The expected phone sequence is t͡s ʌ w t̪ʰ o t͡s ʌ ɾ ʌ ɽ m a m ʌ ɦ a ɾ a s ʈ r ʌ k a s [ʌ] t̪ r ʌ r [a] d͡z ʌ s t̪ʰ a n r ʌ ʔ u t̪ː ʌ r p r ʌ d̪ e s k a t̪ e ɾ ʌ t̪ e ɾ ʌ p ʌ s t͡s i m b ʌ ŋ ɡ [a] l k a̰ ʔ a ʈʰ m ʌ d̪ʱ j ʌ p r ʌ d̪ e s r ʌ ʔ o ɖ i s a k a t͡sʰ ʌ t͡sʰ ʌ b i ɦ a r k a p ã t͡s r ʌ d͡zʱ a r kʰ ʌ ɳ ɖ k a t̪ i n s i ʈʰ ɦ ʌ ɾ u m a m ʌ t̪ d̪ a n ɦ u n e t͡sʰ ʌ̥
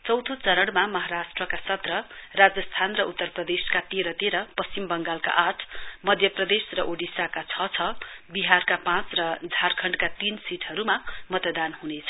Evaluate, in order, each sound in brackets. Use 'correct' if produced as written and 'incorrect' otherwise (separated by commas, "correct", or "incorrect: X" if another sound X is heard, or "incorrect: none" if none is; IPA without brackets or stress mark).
correct, correct, correct